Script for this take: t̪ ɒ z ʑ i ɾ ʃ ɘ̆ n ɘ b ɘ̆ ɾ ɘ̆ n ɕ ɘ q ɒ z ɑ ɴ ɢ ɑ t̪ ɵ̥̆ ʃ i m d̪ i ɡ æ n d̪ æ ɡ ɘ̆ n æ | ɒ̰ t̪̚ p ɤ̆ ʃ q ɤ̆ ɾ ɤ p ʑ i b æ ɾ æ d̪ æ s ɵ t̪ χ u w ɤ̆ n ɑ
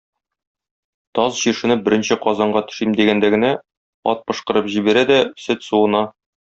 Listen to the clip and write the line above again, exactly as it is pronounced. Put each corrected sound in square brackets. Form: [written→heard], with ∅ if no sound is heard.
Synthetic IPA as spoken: t̪ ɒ z ʑ i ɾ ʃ ɘ̆ n ɘ b ɘ̆ ɾ ɘ̆ n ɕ ɘ q ɒ z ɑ ɴ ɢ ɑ t̪ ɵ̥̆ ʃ i m d̪ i ɡ æ n d̪ æ ɡ ɘ̆ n æ | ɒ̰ t̪̚ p ɤ̆ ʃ q ɤ̆ ɾ ɤ p ʑ i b æ ɾ æ d̪ æ s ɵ t̪ [χ→s] u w ɤ̆ n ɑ

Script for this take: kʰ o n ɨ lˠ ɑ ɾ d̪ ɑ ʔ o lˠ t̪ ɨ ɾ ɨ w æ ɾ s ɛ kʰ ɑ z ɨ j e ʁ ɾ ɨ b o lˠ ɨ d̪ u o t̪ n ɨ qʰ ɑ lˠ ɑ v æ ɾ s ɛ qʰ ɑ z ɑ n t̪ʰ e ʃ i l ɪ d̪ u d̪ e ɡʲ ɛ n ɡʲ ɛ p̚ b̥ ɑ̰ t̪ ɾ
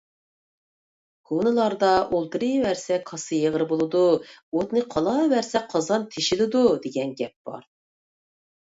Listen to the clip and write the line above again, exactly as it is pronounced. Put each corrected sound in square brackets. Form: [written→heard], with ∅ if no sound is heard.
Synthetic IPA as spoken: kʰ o n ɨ lˠ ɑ ɾ d̪ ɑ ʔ o lˠ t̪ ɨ ɾ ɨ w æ ɾ s ɛ kʰ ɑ [z→s] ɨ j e ʁ ɾ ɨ b o lˠ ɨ d̪ u o t̪ n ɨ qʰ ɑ lˠ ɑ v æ ɾ s ɛ qʰ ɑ z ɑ n t̪ʰ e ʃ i l ɪ d̪ u d̪ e ɡʲ ɛ n ɡʲ ɛ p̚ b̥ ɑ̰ [t̪→∅] ɾ

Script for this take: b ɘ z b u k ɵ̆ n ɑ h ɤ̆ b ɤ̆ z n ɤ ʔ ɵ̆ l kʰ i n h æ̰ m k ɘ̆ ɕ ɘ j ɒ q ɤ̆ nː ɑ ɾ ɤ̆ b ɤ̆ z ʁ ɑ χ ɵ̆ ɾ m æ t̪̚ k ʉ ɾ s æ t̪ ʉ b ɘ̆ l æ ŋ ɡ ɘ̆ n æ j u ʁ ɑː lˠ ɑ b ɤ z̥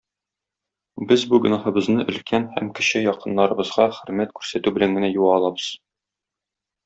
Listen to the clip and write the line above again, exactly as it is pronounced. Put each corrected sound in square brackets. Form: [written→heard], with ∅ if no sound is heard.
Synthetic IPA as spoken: b ɘ z b u [k→ɡ] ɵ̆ n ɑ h ɤ̆ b ɤ̆ z n ɤ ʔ ɵ̆ l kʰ [i→æ] n h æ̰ m k ɘ̆ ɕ ɘ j ɒ q ɤ̆ nː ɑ ɾ ɤ̆ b ɤ̆ z ʁ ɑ χ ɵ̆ ɾ m æ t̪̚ k ʉ ɾ s æ t̪ ʉ b ɘ̆ l æ ŋ ɡ ɘ̆ n æ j u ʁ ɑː lˠ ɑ b ɤ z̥

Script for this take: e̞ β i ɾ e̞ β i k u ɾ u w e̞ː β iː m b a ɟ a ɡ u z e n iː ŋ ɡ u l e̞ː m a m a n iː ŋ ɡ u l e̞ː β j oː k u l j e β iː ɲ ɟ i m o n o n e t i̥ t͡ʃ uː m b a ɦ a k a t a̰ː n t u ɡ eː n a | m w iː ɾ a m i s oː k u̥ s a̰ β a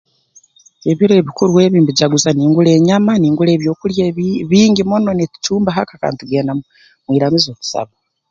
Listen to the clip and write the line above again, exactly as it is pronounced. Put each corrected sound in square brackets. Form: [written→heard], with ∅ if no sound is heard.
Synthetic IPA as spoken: e̞ β i ɾ e̞ β i k u ɾ u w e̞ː β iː m b [a→i] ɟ a ɡ u z [e→a] n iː ŋ ɡ u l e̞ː [m→ɲ] a m a n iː ŋ ɡ u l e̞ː β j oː k u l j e β iː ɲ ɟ i m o n o n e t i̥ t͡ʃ uː m b a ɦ a k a [t→k] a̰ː n t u ɡ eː n a | m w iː ɾ a m i [s→z] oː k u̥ s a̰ β a

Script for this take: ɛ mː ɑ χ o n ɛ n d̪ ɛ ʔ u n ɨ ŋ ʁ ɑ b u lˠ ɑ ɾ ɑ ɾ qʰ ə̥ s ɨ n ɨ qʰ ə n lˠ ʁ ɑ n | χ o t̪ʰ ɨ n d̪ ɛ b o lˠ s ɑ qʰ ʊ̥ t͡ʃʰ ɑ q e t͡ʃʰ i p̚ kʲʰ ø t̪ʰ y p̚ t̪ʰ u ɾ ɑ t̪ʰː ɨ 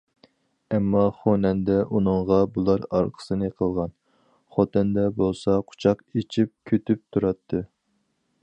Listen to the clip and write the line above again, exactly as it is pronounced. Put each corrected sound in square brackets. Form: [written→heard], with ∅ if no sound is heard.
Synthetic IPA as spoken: ɛ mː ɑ χ o n ɛ n d̪ ɛ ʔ u n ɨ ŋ ʁ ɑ b u lˠ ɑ ɾ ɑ ɾ qʰ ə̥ s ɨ n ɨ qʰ ə [n→∅] lˠ ʁ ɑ n | χ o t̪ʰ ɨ n d̪ ɛ b o lˠ s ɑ qʰ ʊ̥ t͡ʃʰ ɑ q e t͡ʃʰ i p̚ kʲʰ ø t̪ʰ y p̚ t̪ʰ u ɾ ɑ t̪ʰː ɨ

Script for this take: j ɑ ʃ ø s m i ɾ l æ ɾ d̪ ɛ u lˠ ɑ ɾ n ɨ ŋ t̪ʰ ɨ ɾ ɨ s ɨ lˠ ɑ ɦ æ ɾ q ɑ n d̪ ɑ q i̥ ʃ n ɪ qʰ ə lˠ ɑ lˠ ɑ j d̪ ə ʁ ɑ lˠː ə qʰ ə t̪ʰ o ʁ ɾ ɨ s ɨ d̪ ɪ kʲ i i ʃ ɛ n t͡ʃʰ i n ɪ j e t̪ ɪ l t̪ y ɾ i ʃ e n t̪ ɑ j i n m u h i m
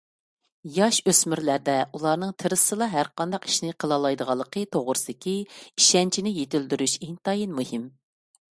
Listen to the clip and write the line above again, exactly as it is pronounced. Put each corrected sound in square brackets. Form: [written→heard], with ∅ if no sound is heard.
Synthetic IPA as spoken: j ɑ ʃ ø s m [i→y] ɾ l æ ɾ d̪ ɛ u lˠ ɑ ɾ n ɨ ŋ t̪ʰ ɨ ɾ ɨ s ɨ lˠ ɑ ɦ æ ɾ q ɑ n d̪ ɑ q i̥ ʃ n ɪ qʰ ə lˠ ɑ lˠ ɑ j d̪ ə ʁ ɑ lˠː ə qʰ ə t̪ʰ o ʁ ɾ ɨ s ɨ d̪ ɪ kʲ i i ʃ ɛ n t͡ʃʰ i n ɪ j e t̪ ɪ l [t̪→d̪] y ɾ [i→y] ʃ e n t̪ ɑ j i n m u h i m

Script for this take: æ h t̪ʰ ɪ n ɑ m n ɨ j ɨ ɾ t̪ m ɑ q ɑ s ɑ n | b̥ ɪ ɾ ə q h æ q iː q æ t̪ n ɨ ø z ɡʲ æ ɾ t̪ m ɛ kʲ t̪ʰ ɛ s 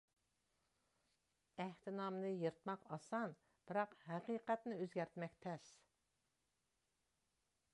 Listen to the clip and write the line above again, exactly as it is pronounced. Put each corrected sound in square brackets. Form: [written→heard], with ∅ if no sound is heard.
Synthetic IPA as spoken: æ h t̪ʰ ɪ n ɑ m n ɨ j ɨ ɾ t̪ m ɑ q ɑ s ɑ n | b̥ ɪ ɾ [ə→ɑ] q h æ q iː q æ t̪ n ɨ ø z ɡʲ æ ɾ t̪ m ɛ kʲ t̪ʰ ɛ s

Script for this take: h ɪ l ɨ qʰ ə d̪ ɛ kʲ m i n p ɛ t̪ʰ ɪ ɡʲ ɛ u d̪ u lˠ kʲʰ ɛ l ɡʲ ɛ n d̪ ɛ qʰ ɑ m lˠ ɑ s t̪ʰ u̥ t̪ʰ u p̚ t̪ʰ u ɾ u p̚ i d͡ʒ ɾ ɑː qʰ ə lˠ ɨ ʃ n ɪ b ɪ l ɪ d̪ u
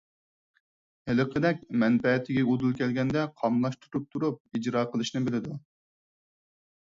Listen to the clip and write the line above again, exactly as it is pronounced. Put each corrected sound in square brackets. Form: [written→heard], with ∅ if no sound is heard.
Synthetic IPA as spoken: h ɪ l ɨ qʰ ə d̪ ɛ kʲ m [i→ɛ] n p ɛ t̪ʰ ɪ ɡʲ ɛ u d̪ u lˠ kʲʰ ɛ l ɡʲ ɛ n d̪ ɛ qʰ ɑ m lˠ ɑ [s→ʃ] t̪ʰ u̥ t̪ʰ u p̚ t̪ʰ u ɾ u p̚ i d͡ʒ ɾ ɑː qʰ ə lˠ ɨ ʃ n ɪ b ɪ l ɪ d̪ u

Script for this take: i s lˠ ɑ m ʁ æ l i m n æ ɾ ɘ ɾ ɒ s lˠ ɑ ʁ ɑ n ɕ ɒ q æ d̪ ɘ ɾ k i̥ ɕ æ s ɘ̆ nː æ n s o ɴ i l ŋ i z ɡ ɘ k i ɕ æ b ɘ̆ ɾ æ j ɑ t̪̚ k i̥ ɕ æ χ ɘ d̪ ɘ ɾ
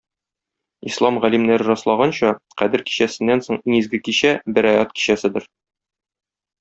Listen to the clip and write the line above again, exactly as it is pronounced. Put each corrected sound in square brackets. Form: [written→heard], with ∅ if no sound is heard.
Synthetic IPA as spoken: i s lˠ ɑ m ʁ æ l i m n æ ɾ ɘ ɾ ɒ s lˠ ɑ ʁ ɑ n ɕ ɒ q æ d̪ ɘ ɾ k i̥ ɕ æ s ɘ̆ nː æ n s o ɴ i [l→∅] ŋ i z ɡ ɘ k i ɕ æ b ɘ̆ ɾ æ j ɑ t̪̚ k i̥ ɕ æ [χ→s] ɘ d̪ ɘ ɾ

